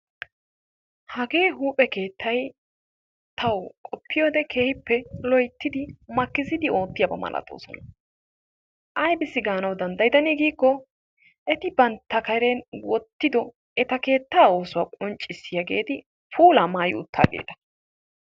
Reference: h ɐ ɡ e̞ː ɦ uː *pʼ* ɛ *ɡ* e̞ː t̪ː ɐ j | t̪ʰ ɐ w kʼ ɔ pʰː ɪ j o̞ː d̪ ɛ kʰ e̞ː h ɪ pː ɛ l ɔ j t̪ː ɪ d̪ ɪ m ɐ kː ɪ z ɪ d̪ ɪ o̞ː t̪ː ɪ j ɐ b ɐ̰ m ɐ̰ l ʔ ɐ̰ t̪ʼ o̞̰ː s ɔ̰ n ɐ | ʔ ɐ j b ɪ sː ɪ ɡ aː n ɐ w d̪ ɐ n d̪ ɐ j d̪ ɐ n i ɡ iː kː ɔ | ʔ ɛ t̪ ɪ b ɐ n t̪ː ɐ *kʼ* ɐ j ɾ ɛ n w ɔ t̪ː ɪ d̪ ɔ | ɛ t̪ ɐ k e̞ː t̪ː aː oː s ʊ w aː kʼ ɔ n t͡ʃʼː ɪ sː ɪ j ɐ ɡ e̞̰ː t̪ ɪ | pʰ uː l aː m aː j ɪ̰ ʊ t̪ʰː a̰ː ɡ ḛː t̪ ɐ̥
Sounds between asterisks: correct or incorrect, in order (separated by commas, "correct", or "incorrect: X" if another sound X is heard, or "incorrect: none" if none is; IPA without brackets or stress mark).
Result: correct, incorrect: k, incorrect: k